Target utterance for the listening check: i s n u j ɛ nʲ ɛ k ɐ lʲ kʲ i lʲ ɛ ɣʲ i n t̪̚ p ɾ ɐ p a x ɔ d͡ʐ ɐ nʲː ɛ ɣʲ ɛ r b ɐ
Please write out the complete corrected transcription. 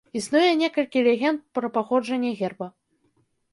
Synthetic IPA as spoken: i s n u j ɛ nʲ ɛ k ɐ lʲ kʲ i lʲ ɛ ɣʲ ɛ n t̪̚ p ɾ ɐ p a x ɔ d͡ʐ ɐ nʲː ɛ ɣʲ ɛ r b ɐ